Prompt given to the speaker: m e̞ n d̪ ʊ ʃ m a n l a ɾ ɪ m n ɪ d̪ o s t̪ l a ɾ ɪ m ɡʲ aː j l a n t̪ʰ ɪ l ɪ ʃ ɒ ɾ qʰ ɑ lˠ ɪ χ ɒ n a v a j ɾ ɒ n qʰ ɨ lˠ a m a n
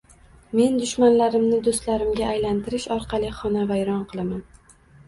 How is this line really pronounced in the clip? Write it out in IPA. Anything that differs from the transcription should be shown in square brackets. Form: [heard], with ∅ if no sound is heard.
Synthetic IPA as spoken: m e̞ n d̪ ʊ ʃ m a n l a ɾ ɪ m n ɪ d̪ o s t̪ l a ɾ ɪ m ɡʲ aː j l a n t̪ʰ ɪ [ɾ] ɪ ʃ ɒ ɾ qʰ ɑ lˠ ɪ χ ɒ n a v a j ɾ ɒ n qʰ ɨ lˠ a m a n